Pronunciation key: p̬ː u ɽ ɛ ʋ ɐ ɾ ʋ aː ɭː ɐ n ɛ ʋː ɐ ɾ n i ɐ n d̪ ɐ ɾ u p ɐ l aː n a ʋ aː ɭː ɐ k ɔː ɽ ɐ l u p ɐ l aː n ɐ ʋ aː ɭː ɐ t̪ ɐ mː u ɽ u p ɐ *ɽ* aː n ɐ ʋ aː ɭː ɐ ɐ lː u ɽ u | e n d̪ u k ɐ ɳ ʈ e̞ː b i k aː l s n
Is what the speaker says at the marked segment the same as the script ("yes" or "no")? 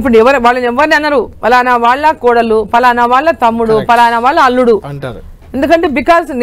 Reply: no